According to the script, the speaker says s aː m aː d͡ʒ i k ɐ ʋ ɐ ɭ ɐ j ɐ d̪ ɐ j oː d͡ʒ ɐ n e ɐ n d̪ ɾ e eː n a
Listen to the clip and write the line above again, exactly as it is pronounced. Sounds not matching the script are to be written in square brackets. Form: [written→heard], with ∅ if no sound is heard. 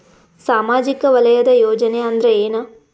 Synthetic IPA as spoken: s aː m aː d͡ʒ i k ɐ ʋ ɐ [ɭ→l] ɐ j ɐ d̪ ɐ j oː d͡ʒ ɐ n e ɐ n d̪ ɾ e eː n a

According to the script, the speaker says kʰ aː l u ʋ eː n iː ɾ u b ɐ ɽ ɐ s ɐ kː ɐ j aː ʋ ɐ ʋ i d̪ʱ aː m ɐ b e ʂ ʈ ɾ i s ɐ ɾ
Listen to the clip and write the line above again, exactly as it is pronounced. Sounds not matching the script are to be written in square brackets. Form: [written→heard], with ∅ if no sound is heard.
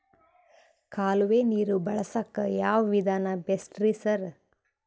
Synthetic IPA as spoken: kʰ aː l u ʋ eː n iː ɾ u b ɐ [ɽ→ɭ] ɐ s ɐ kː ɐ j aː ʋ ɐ ʋ i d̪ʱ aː [m→n] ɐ b e [ʂ→s] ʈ ɾ i s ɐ ɾ

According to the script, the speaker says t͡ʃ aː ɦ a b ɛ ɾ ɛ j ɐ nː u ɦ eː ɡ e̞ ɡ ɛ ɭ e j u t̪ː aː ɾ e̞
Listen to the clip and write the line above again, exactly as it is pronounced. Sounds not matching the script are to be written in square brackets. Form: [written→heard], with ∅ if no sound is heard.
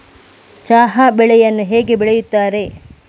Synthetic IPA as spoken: t͡ʃ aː ɦ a b ɛ [ɾ→ɭ] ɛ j ɐ nː u ɦ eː ɡ e̞ [ɡ→b] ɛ ɭ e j u t̪ː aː ɾ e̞

